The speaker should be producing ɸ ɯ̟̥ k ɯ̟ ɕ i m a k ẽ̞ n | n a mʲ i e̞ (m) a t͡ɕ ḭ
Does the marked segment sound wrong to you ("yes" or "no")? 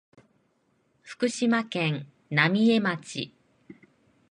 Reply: no